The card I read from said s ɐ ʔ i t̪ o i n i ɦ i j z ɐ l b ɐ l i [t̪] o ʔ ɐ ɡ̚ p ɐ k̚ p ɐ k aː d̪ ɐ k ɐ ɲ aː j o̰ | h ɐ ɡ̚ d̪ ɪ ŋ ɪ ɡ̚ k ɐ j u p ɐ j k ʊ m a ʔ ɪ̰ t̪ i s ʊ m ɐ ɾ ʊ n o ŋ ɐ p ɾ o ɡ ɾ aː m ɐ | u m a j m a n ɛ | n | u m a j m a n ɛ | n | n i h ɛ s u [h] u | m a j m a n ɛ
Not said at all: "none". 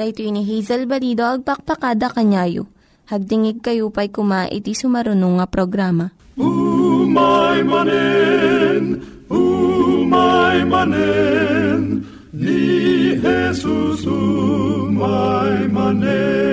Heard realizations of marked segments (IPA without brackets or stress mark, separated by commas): d̪, s